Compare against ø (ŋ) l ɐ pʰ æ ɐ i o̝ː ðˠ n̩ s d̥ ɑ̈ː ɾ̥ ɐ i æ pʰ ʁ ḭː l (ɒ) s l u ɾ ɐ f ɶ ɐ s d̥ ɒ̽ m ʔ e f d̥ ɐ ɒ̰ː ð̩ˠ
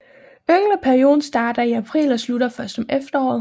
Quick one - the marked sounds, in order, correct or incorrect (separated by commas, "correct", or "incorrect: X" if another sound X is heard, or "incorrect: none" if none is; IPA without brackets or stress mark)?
correct, correct